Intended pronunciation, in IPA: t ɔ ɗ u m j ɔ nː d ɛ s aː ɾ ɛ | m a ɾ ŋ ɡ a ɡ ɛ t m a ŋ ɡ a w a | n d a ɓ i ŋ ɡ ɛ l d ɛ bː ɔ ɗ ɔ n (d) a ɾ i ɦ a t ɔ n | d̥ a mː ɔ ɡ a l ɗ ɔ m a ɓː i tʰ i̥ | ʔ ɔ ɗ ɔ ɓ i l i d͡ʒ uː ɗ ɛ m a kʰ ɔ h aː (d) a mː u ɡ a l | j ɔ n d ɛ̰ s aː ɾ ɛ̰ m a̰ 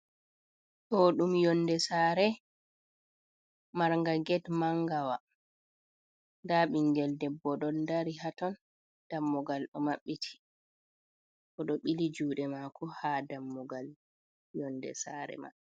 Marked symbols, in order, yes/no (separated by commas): yes, yes